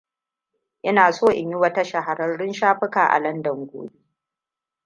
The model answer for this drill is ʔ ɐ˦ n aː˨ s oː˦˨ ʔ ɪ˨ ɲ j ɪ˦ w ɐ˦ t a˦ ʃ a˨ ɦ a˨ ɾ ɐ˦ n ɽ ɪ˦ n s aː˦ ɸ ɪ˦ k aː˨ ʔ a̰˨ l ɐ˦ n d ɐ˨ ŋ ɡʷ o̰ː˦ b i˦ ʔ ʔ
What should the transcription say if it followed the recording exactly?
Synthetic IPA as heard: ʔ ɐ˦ n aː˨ s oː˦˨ ʔ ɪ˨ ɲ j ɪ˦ w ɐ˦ t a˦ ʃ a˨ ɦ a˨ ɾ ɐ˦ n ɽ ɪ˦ n ʃ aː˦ ɸ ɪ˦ k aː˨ ʔ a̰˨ l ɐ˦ n d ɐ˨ ŋ ɡʷ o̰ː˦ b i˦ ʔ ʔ